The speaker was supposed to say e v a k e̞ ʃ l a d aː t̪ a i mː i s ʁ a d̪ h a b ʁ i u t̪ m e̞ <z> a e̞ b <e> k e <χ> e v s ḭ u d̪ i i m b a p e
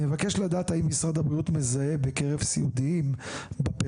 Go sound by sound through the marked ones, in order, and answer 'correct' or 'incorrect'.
correct, correct, incorrect: ʁ

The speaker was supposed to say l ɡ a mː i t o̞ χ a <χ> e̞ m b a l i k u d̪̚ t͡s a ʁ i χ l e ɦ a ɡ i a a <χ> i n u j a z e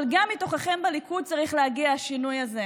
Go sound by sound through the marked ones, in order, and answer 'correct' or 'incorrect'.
correct, incorrect: ʃ

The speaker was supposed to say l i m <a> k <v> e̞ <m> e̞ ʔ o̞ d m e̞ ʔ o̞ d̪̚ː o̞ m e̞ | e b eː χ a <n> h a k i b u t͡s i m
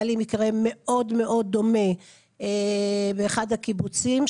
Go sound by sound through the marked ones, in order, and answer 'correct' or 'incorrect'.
incorrect: i, incorrect: ʁ, correct, incorrect: d

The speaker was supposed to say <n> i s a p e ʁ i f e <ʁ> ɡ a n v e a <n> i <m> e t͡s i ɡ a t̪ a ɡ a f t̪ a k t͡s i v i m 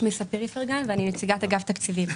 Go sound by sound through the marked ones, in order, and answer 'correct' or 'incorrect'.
incorrect: m, correct, correct, incorrect: n

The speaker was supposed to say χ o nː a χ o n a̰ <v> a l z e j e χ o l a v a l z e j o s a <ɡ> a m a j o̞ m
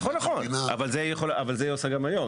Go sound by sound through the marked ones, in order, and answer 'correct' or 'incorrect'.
correct, correct

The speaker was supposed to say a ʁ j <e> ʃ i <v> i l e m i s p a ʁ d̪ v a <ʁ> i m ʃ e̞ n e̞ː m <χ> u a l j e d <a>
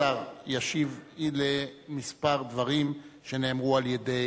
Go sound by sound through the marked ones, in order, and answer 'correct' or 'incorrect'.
incorrect: a, correct, correct, incorrect: ʁ, incorrect: e

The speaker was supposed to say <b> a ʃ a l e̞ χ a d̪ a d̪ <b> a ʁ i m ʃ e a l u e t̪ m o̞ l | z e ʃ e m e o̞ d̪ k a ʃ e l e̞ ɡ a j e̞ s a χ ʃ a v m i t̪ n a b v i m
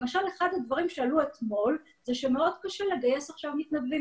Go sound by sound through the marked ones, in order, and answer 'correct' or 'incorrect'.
incorrect: m, incorrect: v

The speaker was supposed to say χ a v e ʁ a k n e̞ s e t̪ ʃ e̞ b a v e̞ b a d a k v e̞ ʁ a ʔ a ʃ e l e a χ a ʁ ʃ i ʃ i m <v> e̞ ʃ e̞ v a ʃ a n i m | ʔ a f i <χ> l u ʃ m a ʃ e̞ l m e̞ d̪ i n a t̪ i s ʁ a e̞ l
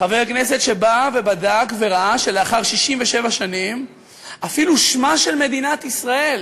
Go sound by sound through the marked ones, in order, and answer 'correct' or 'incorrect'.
correct, incorrect: none

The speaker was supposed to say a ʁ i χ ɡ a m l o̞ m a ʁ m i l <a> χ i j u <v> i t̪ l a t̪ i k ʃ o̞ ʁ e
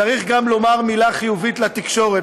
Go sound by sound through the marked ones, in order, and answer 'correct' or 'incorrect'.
correct, correct

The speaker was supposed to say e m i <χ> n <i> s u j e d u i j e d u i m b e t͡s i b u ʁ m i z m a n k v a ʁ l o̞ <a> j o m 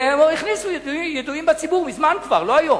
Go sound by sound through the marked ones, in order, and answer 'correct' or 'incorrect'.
correct, correct, correct

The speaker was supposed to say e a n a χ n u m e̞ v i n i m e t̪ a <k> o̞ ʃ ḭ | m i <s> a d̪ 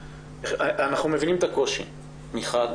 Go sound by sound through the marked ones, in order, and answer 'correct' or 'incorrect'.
correct, incorrect: χ

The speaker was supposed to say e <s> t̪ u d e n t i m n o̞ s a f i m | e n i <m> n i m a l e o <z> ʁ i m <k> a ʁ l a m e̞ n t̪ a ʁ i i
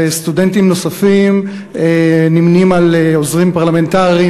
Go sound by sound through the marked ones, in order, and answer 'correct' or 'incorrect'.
correct, correct, correct, incorrect: p

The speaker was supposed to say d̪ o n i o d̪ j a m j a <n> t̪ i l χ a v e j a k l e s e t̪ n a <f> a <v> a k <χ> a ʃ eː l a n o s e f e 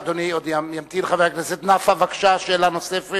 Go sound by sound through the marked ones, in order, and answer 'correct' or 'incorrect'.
incorrect: m, correct, correct, incorrect: ʃ

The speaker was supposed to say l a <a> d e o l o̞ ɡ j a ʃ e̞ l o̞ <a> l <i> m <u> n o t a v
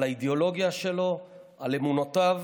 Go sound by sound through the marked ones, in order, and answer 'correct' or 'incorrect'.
incorrect: i, correct, incorrect: e, correct

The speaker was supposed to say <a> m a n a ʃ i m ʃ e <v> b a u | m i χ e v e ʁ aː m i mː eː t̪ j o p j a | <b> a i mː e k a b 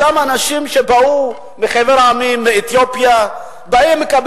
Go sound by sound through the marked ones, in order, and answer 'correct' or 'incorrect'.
correct, incorrect: none, correct

